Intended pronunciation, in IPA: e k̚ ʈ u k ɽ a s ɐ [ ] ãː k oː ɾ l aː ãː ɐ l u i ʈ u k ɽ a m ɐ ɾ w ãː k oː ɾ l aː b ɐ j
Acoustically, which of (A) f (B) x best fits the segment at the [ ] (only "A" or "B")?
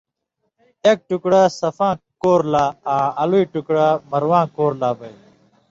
A